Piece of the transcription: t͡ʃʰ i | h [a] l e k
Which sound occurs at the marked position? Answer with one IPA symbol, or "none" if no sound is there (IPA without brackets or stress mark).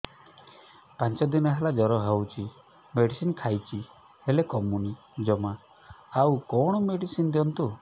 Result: e